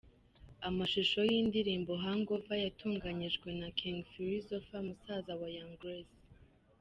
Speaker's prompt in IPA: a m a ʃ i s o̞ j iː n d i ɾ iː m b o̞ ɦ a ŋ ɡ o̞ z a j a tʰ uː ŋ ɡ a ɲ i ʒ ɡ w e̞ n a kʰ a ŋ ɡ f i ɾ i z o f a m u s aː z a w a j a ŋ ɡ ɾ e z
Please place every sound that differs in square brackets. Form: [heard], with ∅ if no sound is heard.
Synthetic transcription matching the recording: a m a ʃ i [ʃ] o̞ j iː n d i ɾ iː m b o̞ ɦ a ŋ ɡ o̞ [v] a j a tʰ uː ŋ ɡ a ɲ i ʒ ɡ w e̞ n a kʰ [i] ŋ ɡ f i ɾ i z o f a m u s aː z a w a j a ŋ ɡ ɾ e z